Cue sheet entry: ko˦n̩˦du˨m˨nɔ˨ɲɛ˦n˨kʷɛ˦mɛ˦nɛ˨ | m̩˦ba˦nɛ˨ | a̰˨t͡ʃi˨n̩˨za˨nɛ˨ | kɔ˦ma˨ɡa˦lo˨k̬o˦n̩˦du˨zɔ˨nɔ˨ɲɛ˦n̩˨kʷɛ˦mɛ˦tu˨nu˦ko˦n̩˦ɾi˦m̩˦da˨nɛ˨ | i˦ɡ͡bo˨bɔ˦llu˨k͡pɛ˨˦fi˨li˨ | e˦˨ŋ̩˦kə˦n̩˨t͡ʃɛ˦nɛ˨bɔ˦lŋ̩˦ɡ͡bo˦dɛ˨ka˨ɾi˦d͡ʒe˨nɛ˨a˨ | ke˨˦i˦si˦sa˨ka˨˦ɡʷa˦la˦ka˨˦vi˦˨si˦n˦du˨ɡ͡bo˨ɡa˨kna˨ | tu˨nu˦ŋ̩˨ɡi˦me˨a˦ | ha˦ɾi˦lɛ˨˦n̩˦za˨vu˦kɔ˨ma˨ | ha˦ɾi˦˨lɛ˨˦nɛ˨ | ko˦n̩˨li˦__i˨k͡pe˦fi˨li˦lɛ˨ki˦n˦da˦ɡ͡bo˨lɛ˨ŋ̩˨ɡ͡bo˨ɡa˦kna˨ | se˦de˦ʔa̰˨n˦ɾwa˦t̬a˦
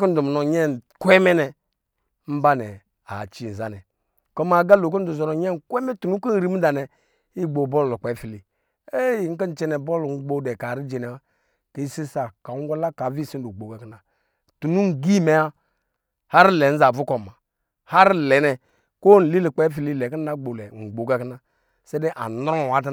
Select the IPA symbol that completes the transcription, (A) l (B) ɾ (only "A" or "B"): A